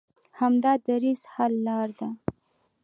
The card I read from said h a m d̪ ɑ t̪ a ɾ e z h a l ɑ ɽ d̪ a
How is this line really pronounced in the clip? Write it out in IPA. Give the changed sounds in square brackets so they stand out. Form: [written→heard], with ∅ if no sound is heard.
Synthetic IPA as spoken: h a m d̪ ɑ [t̪→d̪] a ɾ [e→i] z h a [l→lː] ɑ [ɽ→ɾ] d̪ a